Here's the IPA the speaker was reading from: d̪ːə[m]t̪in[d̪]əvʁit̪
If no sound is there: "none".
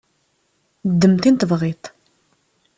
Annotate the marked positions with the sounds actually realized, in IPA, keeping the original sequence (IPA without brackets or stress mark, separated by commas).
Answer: m, t̪